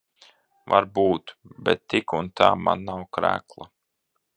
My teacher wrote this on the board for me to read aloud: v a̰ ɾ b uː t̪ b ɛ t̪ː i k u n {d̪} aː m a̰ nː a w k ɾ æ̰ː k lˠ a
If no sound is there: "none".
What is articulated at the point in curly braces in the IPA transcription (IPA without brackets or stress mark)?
t̪